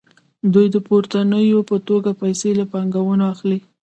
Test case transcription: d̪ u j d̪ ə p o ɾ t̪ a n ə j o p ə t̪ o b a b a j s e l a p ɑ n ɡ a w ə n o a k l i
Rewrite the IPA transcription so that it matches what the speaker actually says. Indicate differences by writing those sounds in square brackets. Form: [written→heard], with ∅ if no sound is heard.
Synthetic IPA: d̪ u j d̪ ə p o ɾ t̪ a n ə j o p ə t̪ o [b→ɡ] a [b→p] a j s e l a p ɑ [n→ŋ] ɡ a w ə n o a [k→x] l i